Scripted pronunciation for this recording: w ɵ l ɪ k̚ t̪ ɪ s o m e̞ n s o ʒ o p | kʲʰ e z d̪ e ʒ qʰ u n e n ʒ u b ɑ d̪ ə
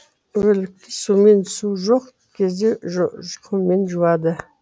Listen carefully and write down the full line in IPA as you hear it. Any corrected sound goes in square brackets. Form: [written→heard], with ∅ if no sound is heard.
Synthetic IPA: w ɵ l ɪ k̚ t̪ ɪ s [o→u] m e̞ n s [o→u] ʒ o [p→q] | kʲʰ e z d̪ e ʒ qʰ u [n→m] e n ʒ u [b→w] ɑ d̪ ə